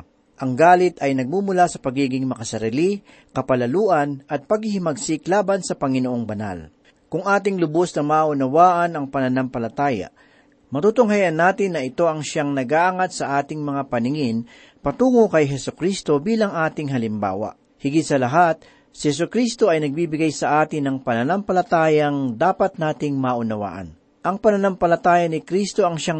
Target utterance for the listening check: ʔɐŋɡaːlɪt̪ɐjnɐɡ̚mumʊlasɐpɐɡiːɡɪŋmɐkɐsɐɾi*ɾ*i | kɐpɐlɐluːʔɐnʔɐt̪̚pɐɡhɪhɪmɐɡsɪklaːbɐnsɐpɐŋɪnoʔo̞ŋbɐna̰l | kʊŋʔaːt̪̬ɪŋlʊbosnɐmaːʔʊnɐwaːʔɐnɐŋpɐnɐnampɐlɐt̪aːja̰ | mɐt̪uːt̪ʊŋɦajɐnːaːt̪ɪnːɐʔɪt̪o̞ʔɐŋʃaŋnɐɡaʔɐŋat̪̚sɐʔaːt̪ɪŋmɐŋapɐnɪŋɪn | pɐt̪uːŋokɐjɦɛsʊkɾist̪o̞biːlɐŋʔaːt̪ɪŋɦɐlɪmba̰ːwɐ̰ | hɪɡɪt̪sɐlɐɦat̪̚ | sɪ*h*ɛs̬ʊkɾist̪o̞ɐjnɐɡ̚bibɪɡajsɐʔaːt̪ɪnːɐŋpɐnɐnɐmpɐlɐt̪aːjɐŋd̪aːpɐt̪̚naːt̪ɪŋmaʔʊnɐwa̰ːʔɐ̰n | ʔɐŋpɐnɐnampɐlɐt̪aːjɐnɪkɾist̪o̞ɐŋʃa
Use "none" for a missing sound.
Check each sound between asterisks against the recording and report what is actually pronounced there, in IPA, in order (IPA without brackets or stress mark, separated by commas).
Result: l, h